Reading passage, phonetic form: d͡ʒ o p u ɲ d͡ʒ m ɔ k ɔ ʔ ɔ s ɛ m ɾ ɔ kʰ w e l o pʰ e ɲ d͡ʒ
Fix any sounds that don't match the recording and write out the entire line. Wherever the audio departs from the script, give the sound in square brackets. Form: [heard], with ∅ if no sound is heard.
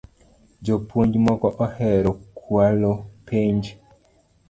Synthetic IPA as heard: d͡ʒ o p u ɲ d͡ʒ m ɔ k ɔ ʔ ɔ [h] ɛ [∅] ɾ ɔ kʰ w [a] l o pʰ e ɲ d͡ʒ